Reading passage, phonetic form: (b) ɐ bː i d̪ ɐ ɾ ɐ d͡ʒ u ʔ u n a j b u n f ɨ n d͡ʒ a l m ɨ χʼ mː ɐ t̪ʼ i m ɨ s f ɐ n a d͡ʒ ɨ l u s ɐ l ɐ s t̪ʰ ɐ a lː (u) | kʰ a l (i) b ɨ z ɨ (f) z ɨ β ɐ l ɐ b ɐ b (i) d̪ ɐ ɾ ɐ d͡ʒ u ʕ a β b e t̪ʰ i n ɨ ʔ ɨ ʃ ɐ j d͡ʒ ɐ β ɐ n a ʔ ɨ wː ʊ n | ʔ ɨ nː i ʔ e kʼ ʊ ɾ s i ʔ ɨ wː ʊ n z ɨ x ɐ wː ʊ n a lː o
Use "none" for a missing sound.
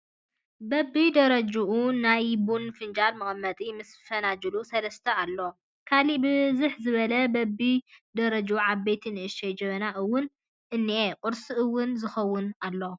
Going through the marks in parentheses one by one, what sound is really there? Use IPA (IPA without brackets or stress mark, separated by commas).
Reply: b, o, i, ħ, i